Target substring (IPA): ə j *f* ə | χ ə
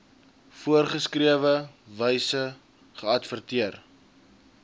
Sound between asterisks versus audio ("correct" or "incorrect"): incorrect